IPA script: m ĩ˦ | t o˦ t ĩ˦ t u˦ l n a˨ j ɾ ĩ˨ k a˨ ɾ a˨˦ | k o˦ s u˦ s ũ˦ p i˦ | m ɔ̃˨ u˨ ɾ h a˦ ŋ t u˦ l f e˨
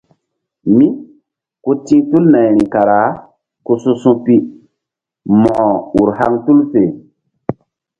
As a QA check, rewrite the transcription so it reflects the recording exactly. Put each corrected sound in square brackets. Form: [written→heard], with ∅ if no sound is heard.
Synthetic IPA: m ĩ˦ | [t→k] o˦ t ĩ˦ t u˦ l n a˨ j ɾ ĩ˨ k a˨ ɾ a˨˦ | k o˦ s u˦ s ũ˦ p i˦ | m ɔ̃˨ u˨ ɾ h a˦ ŋ t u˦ l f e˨